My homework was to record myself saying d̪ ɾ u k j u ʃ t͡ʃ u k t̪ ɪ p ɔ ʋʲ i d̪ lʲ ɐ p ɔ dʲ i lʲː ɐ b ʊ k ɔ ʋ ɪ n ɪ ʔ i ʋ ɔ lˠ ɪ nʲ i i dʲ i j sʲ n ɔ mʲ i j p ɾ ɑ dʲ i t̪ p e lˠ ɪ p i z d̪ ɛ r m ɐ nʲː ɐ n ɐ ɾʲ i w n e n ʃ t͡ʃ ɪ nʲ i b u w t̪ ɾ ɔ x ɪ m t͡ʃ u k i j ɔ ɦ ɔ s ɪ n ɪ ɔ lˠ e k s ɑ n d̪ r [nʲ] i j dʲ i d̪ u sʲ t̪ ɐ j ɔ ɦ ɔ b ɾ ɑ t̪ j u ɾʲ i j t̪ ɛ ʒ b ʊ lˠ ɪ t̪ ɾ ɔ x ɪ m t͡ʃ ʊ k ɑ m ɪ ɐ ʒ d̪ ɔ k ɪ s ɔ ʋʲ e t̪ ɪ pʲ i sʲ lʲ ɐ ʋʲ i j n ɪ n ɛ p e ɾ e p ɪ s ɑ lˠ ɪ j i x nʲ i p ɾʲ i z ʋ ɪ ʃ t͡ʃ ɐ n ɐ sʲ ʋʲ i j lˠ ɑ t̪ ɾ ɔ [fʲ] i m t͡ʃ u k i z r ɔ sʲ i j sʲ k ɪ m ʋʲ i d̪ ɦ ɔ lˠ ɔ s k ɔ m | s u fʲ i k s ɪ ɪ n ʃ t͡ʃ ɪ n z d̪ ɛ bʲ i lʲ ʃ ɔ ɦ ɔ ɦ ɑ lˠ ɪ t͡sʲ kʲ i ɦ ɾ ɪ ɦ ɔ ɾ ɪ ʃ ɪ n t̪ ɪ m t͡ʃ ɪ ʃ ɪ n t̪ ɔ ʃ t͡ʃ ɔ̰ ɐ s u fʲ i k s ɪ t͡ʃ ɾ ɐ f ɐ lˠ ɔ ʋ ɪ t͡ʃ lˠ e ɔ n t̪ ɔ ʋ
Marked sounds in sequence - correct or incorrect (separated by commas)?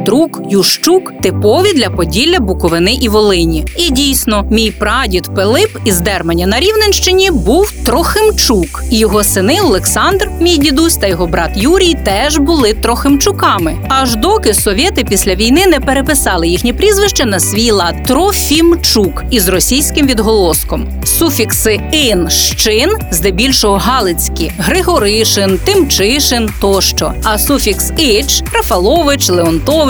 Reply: incorrect, correct